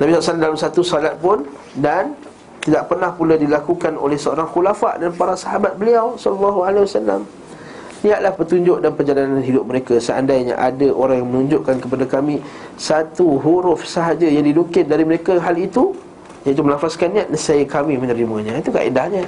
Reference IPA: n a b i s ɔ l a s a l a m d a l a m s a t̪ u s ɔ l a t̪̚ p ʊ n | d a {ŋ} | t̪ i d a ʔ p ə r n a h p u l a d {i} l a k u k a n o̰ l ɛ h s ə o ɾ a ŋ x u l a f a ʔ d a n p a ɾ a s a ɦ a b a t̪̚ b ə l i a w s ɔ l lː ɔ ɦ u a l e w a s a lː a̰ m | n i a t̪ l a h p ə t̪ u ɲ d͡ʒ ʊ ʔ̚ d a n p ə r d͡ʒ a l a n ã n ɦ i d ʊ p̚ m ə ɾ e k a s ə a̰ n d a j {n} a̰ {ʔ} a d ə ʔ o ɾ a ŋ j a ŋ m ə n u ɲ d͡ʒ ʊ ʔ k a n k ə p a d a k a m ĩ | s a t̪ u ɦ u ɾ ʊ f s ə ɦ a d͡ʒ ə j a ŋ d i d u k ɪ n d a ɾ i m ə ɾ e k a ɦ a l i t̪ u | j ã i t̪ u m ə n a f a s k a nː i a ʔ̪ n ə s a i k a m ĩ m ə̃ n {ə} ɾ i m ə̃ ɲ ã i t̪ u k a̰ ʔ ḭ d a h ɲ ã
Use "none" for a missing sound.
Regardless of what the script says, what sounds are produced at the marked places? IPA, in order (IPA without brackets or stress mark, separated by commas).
n, i, ɲ, ʔ, ə